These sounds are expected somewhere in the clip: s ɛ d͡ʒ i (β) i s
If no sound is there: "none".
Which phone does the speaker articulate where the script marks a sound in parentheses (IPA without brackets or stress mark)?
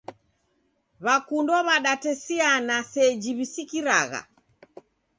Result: β